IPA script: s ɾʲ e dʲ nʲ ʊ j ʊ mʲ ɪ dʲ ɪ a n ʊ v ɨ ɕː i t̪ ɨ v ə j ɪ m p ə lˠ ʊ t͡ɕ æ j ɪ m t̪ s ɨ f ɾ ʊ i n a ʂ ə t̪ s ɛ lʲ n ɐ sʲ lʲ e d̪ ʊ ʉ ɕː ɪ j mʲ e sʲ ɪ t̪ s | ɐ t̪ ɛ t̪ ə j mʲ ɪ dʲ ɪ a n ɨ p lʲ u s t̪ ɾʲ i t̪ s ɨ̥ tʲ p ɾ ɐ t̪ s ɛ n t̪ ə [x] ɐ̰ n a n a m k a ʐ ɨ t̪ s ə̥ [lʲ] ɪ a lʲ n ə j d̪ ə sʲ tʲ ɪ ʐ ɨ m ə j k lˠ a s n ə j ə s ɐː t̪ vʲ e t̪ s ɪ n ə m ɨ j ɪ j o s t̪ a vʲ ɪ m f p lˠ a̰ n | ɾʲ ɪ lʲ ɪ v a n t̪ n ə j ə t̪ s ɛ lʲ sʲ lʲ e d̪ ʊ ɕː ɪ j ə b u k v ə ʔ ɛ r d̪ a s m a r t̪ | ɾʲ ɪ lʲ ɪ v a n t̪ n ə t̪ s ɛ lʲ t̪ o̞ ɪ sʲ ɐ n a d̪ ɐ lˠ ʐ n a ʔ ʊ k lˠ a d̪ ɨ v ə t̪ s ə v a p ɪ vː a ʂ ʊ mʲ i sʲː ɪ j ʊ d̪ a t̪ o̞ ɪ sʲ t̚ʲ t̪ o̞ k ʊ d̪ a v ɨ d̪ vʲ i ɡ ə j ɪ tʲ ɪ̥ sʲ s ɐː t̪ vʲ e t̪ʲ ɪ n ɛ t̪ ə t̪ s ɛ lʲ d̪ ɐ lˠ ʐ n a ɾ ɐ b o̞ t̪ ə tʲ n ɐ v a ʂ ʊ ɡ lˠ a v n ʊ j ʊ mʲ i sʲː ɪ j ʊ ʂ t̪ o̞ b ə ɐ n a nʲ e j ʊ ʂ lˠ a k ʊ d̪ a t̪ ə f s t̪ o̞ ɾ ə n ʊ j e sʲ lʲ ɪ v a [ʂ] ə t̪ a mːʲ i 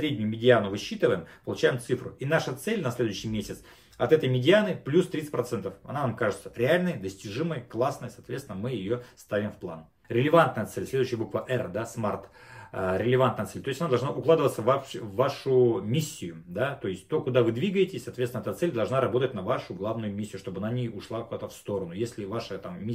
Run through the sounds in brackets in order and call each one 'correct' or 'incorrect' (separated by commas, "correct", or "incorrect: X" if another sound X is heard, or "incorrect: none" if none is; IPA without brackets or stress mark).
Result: incorrect: f, incorrect: ɾʲ, correct